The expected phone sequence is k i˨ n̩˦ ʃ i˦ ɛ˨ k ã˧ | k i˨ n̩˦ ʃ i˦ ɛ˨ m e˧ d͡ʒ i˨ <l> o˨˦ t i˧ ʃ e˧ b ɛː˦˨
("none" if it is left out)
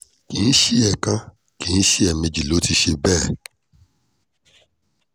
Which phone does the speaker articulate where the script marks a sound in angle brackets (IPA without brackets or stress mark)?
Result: l